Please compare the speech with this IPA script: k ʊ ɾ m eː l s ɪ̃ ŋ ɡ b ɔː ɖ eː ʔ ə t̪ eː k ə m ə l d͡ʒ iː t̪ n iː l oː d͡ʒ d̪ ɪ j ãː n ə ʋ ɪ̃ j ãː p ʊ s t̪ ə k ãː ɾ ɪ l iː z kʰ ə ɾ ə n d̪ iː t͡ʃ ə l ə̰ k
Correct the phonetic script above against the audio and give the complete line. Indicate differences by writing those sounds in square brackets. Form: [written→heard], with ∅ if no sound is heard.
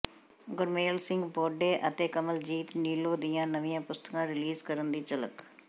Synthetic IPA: [k→ɡ] ʊ ɾ m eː l s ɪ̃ ŋ ɡ b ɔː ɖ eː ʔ ə t̪ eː k ə m ə l d͡ʒ iː t̪ n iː l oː [d͡ʒ→∅] d̪ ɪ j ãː n ə ʋ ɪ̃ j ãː p ʊ s t̪ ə k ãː ɾ ɪ l iː z [kʰ→k] ə ɾ ə n d̪ iː t͡ʃ ə l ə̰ k